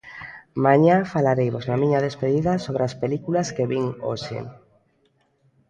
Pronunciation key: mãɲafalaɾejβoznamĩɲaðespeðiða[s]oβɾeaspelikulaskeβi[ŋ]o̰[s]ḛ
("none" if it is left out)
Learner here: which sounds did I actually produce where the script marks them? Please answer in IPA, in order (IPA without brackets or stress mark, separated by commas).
s, ŋ, ʃ